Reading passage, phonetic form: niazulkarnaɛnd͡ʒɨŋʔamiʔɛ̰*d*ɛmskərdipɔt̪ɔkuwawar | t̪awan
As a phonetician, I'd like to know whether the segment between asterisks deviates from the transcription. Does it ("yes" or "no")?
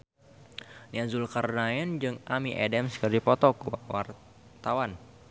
no